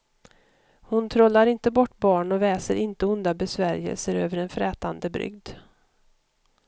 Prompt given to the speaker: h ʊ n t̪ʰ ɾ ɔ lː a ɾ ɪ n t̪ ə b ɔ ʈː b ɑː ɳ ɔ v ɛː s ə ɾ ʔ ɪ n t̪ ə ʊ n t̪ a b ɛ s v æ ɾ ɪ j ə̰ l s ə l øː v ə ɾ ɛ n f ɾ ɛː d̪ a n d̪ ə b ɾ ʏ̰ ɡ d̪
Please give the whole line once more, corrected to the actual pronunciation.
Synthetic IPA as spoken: h ʊ n t̪ʰ ɾ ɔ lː a ɾ ɪ n t̪ ə b ɔ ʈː b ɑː ɳ ɔ v ɛː s ə ɾ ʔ ɪ n t̪ ə ʊ n d̪ a b ɛ s v æ ɾ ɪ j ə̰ l s ə ɾ øː v ə ɾ ɛ n f ɾ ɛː t̪ a n d̪ ə b ɾ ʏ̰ ɡ d̪